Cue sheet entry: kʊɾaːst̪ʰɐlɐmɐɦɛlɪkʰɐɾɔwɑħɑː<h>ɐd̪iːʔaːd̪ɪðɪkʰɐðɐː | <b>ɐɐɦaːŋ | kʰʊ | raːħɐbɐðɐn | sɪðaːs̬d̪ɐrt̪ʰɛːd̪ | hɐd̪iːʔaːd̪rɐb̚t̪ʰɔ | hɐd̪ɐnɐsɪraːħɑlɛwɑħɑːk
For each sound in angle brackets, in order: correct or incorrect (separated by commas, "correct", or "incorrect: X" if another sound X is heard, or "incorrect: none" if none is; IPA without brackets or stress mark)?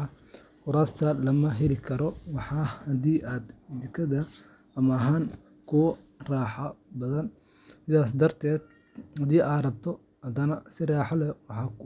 correct, incorrect: m